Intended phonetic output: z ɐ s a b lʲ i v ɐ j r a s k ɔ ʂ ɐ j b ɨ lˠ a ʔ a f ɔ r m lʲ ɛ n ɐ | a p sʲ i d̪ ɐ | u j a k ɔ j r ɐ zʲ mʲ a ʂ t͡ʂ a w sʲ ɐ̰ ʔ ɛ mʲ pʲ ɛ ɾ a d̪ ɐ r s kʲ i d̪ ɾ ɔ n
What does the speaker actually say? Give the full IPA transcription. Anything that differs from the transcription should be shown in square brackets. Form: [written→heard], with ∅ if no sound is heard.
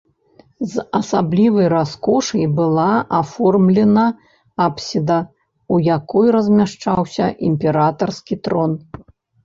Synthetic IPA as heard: z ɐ s a b lʲ i v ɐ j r a s k ɔ ʂ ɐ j b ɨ lˠ a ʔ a f ɔ r m lʲ ɛ n ɐ | a p sʲ i d̪ ɐ | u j a k ɔ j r ɐ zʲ mʲ a ʂ t͡ʂ a w sʲ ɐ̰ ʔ [ɛ→i] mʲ pʲ ɛ ɾ a [d̪→t̪] ɐ r s kʲ i [d̪→t̪] ɾ ɔ n